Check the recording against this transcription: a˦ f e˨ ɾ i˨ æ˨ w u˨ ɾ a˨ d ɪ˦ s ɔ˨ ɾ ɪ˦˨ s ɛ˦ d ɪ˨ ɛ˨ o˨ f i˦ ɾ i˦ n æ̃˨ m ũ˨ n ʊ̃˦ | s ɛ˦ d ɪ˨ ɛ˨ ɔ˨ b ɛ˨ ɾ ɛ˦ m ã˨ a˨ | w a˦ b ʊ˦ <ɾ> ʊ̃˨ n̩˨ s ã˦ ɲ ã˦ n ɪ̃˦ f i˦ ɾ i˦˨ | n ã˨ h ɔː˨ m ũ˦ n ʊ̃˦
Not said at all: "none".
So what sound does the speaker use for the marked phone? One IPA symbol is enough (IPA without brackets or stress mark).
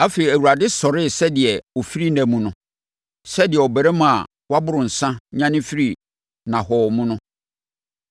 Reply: ɾ